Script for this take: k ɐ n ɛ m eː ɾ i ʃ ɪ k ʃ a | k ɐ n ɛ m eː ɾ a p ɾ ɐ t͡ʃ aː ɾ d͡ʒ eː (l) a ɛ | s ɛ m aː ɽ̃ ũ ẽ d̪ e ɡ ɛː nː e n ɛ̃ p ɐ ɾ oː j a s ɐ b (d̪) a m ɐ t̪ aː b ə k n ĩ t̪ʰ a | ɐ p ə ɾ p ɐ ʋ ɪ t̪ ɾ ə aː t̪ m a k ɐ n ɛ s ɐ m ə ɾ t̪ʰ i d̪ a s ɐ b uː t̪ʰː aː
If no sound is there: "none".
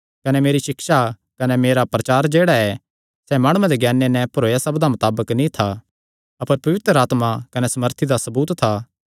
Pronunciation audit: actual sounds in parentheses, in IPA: ɽ, d̪

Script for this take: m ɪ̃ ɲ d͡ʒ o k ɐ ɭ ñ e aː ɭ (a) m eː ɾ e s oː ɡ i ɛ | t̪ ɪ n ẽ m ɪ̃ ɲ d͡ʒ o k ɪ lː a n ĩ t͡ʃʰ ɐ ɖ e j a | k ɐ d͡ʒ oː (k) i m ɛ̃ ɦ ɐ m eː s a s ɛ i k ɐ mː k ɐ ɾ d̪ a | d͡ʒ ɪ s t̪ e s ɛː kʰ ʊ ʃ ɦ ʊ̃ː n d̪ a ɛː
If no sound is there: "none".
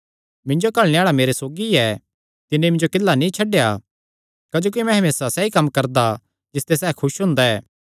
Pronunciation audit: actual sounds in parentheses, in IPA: a, k

